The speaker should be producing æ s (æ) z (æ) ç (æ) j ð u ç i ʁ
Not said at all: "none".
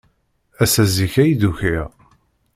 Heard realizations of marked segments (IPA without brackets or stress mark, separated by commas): æ, i, æ